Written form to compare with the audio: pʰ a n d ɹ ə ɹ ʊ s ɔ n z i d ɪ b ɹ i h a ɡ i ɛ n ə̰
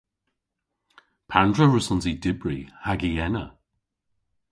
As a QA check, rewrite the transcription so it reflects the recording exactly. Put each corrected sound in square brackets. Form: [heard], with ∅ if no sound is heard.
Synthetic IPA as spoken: pʰ a n d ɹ ə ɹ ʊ s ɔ n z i d ɪ b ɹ i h a ɡ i ɛ n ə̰